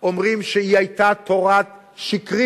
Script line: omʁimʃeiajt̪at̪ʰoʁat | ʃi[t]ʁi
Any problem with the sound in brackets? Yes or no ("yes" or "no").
yes